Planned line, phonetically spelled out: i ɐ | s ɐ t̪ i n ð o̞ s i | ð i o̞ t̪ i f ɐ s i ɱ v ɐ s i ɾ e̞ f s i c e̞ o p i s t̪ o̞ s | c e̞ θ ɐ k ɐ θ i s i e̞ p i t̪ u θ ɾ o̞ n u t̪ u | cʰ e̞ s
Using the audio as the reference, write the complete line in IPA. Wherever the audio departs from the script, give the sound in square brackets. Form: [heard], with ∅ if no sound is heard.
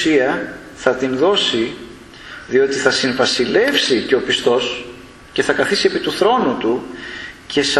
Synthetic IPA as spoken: i ɐ | [θ] ɐ t̪ i n ð o̞ s i | ð i o̞ t̪ i [θ] ɐ s i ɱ v ɐ s i [l] e̞ f s i c e̞ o p i s t̪ o̞ s | c e̞ θ ɐ k ɐ θ i s i e̞ p i t̪ u θ ɾ o̞ n u t̪ u | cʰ e̞ s